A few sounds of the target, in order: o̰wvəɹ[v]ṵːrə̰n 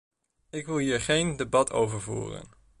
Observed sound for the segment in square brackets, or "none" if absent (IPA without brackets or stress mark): v